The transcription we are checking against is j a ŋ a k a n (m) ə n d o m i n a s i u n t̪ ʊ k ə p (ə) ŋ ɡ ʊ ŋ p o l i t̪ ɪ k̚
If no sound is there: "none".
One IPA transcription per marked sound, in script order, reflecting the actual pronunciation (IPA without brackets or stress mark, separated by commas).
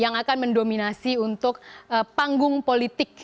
m, a